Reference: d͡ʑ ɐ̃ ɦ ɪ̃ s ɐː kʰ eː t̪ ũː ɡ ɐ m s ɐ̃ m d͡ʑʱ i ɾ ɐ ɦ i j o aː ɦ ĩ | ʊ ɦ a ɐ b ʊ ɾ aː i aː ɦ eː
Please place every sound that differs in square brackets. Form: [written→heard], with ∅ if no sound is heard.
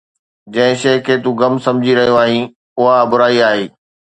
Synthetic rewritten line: d͡ʑ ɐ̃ ɦ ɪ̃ [s→ʃ] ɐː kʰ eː t̪ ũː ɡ ɐ m s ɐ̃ m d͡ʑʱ i ɾ ɐ ɦ i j o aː ɦ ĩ | ʊ ɦ a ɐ b ʊ ɾ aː i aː ɦ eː